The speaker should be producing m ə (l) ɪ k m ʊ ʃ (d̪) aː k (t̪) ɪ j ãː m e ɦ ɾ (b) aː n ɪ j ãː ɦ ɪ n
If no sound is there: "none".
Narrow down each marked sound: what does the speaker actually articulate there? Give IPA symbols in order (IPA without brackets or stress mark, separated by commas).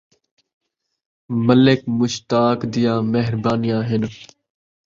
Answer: l, t̪, d̪, b